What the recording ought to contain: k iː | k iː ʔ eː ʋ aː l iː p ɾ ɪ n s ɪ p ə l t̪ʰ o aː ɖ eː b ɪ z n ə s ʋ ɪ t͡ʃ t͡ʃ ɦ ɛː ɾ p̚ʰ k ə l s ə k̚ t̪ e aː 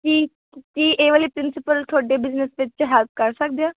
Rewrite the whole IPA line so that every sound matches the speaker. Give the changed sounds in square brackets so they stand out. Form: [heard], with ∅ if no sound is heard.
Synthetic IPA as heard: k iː | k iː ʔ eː ʋ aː l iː p ɾ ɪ n s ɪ p ə l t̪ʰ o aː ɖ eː b ɪ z n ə s ʋ ɪ t͡ʃ t͡ʃ ɦ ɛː [l] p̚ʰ k ə [ɾ] s ə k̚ [d̪] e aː